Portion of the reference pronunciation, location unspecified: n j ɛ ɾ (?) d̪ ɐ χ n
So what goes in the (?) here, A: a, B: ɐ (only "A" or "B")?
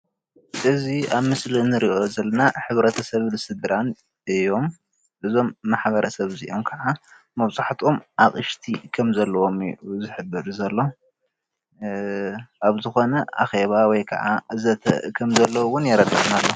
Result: B